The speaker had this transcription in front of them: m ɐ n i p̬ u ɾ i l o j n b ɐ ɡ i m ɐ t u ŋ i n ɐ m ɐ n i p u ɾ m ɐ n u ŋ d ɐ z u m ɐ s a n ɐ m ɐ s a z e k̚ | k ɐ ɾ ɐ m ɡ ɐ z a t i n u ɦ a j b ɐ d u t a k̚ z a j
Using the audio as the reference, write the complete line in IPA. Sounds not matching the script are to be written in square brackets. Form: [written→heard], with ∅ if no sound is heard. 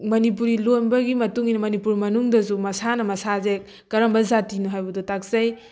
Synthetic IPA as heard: m ɐ n i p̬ u ɾ i l o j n b ɐ ɡ i m ɐ t u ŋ i n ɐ m ɐ n i p u ɾ m ɐ n u ŋ d ɐ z u m ɐ s a n ɐ m ɐ s a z e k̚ | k ɐ ɾ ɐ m [ɡ→b] ɐ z a t i n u ɦ a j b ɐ d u t a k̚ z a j